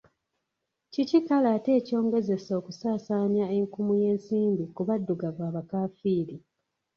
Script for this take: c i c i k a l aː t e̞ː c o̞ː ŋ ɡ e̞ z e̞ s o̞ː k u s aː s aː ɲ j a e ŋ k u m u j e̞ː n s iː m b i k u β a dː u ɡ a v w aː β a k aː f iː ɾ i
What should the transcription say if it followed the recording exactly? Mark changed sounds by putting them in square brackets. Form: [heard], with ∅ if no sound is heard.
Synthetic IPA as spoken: c i c i k a l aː t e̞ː c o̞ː ŋ ɡ e̞ z e̞ s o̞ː k u s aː s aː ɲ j a e ŋ k u m u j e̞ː n s iː m b i k u β a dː u ɡ a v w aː β a k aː f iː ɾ i